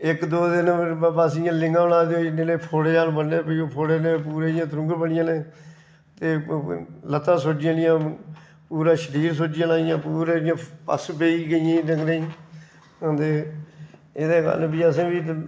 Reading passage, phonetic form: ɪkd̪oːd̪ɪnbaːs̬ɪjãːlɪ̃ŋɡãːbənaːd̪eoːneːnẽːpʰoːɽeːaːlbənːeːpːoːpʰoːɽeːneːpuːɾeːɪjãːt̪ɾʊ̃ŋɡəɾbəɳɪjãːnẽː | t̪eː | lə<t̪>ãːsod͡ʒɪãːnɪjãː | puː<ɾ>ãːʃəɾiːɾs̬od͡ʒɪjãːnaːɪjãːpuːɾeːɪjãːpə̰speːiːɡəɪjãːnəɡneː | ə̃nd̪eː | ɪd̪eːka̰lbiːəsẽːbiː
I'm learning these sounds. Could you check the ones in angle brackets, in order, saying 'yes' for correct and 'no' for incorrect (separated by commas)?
yes, yes